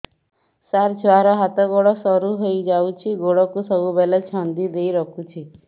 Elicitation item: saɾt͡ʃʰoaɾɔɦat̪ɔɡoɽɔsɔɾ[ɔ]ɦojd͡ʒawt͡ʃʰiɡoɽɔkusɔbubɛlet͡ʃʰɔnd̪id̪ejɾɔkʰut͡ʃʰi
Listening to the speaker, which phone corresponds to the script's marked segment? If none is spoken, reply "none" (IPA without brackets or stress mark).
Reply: u